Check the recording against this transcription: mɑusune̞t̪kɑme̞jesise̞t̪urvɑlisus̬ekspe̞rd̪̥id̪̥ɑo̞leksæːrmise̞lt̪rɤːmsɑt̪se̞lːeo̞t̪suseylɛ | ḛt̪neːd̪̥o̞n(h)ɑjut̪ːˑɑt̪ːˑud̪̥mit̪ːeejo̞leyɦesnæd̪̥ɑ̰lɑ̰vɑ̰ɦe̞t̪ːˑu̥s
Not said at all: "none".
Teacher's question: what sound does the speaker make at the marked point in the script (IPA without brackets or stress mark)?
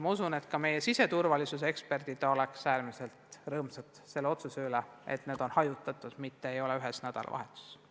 h